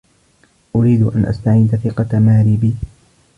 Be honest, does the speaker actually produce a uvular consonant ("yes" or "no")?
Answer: yes